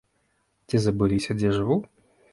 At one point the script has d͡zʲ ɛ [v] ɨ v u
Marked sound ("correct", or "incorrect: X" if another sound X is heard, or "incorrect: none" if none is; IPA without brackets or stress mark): incorrect: ʐ